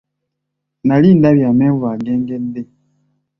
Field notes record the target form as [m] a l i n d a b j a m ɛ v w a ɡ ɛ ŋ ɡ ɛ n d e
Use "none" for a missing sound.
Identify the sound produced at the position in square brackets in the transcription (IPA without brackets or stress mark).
n